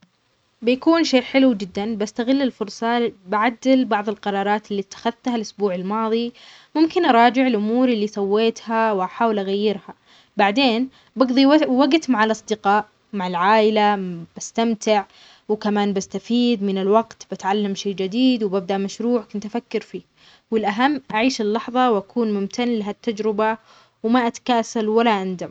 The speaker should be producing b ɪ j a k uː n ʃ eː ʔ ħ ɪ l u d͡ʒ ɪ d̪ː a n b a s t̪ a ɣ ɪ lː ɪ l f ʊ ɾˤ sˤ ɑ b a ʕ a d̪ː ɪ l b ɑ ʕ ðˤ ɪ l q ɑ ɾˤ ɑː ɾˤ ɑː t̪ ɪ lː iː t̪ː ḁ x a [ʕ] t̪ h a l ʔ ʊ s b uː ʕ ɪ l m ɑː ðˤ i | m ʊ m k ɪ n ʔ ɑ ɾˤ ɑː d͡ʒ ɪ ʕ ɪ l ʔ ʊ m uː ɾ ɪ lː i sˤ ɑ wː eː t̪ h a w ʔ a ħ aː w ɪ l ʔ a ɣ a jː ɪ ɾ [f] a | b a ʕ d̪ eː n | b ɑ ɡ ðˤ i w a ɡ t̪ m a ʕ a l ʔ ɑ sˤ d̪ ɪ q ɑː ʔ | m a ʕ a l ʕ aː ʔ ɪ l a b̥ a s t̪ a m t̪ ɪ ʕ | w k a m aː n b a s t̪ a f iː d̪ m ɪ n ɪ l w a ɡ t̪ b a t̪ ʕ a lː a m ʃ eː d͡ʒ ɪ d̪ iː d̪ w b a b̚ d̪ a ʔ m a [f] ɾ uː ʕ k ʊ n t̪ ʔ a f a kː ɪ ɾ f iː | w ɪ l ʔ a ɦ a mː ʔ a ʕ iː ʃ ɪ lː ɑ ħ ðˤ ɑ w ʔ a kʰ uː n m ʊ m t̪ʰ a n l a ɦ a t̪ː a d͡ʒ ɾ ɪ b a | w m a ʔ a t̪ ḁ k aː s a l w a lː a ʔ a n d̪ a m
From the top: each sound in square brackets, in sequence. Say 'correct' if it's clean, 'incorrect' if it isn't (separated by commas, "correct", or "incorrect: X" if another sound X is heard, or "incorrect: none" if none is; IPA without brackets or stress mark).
incorrect: ð, incorrect: h, incorrect: ʃ